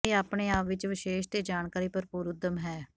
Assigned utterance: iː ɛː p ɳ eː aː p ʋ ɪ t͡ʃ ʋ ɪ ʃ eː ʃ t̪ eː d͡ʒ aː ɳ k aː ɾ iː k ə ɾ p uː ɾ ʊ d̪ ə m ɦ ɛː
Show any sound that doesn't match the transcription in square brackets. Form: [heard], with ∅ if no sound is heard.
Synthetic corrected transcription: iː [aː] p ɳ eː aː p ʋ ɪ t͡ʃ ʋ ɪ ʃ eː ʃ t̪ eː d͡ʒ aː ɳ k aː ɾ iː [p] ə ɾ p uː ɾ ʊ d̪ ə m ɦ ɛː